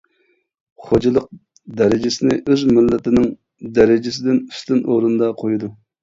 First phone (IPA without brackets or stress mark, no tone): χ